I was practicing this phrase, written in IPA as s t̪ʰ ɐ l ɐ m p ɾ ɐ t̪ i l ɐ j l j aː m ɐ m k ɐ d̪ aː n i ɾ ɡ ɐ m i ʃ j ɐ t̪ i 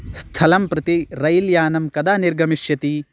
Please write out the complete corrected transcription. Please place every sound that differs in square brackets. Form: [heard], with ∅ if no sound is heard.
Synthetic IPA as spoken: s t̪ʰ ɐ l ɐ m p ɾ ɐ t̪ i [ɾ] ɐ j l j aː [n] ɐ m k ɐ d̪ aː n i ɾ ɡ ɐ m i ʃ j ɐ t̪ i